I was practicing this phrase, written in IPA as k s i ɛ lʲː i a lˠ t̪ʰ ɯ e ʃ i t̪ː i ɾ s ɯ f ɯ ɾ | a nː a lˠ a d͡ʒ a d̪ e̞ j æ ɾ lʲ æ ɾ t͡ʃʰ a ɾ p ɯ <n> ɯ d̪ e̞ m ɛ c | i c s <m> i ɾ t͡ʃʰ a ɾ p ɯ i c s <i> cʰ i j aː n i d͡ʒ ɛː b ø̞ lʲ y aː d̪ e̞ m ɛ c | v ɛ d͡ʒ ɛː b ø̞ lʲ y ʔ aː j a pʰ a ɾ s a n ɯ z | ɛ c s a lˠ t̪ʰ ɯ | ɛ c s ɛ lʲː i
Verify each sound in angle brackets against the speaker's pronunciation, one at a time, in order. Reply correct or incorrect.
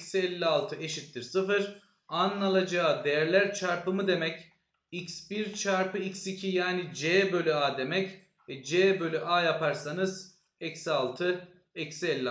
incorrect, incorrect, correct

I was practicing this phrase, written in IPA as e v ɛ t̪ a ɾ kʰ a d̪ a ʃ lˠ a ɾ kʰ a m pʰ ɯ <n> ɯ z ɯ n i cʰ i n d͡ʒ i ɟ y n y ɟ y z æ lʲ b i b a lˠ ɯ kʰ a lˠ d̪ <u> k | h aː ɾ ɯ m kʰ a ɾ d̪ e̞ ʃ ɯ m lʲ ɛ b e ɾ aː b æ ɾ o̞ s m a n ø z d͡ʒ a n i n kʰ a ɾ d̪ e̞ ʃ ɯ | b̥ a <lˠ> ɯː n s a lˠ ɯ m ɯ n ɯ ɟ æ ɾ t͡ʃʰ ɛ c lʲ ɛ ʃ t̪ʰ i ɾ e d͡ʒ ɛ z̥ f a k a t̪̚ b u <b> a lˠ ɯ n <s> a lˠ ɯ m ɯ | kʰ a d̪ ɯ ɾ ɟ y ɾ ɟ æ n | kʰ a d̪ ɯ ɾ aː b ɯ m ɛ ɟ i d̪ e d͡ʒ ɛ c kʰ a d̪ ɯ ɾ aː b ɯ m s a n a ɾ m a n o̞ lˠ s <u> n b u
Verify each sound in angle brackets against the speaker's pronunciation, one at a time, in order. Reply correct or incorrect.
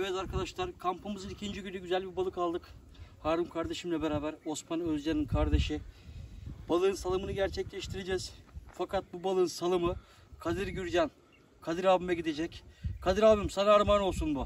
incorrect, incorrect, correct, correct, correct, correct

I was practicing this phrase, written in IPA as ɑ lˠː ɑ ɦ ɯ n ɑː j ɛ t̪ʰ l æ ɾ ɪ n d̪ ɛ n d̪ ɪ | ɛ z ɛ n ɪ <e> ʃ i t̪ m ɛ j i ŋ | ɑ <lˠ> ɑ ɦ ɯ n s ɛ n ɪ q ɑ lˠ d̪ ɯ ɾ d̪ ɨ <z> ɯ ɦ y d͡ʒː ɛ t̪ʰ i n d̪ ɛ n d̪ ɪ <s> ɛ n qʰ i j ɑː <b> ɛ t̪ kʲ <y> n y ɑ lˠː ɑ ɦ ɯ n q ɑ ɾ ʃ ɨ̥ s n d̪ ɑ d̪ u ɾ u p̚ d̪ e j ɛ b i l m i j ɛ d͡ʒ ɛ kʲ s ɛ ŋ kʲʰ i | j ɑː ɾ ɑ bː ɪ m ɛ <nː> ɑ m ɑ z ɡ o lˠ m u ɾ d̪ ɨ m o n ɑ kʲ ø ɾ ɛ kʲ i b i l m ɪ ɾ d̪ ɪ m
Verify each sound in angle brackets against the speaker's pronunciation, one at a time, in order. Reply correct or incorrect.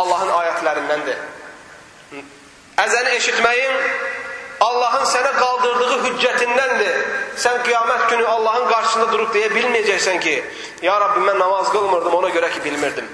correct, incorrect, incorrect, correct, incorrect, correct, correct

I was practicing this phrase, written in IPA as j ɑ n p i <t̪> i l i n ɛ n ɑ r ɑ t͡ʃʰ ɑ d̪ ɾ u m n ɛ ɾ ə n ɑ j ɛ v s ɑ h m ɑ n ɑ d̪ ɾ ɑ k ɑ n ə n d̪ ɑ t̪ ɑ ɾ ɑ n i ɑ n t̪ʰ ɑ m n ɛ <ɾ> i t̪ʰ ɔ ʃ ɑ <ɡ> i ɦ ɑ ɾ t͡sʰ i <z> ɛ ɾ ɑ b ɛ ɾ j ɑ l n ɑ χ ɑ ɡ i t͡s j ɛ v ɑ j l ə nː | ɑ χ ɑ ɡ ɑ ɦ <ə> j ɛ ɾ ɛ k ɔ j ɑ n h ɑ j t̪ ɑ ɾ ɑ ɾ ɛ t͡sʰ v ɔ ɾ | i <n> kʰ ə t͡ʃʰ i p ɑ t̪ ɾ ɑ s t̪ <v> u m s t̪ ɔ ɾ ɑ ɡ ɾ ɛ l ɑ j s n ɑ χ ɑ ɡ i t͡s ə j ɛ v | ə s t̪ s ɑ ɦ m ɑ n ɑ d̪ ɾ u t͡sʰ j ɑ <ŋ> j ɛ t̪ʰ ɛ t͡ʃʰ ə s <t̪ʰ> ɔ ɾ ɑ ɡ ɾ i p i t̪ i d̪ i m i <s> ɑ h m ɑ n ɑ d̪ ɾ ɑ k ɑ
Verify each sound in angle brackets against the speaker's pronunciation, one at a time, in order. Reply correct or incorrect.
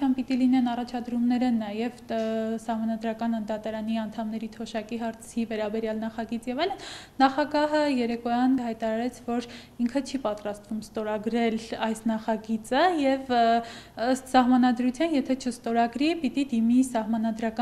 correct, correct, incorrect, incorrect, correct, incorrect, correct, incorrect, incorrect, correct

